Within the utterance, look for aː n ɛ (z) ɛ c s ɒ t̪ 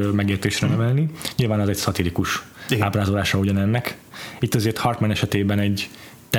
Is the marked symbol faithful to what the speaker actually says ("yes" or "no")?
yes